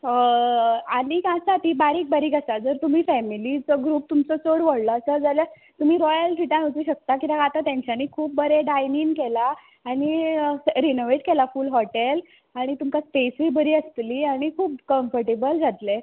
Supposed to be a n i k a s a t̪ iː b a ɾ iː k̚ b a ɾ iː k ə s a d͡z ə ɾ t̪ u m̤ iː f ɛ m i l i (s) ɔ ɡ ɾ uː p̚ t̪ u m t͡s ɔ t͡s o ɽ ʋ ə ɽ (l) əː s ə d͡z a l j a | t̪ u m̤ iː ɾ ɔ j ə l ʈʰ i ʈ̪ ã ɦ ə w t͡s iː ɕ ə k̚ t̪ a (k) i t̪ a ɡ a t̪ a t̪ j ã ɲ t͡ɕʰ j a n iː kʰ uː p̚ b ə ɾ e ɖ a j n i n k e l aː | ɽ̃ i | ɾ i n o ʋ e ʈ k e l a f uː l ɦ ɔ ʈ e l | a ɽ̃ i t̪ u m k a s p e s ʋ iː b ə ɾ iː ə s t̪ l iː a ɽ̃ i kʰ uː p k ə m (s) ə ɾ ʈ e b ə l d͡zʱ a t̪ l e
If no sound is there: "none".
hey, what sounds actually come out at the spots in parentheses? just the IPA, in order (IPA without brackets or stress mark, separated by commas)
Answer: t͡s, l, k, f